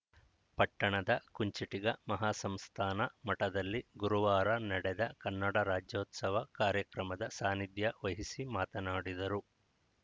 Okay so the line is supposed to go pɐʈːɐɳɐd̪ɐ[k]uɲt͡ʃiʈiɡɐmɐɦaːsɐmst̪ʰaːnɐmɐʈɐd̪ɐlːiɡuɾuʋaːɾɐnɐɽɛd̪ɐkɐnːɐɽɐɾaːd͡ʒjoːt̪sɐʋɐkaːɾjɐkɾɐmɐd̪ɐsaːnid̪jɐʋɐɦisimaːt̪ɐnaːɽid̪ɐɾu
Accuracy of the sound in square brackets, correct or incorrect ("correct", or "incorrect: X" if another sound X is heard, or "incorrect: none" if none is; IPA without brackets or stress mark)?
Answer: correct